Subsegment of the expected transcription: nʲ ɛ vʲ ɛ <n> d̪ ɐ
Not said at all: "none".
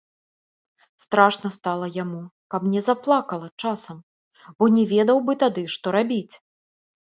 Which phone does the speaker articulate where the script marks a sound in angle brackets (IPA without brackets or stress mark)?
none